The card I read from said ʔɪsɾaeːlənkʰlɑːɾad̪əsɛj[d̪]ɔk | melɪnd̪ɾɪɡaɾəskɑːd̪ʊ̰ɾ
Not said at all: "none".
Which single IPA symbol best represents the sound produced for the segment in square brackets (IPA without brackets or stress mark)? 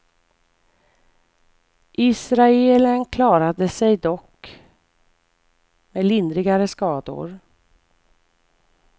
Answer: d̪